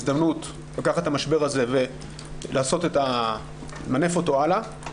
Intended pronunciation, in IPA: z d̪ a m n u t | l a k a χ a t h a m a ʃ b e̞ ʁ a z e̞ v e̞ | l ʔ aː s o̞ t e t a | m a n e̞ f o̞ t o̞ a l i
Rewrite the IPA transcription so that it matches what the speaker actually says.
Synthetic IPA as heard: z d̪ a m n u t | l a k a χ a t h a m a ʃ b e̞ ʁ a z e̞ v e̞ | l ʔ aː s o̞ t e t a | m a n e̞ f o̞ t o̞ a l a